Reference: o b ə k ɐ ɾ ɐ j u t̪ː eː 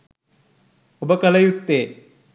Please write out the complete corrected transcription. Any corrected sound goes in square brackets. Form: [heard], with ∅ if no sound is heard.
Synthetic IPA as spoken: o b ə k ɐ [l] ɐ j u t̪ː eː